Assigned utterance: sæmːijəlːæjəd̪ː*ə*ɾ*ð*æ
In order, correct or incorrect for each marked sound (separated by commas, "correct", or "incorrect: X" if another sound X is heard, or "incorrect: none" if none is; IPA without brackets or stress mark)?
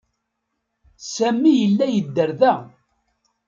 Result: correct, correct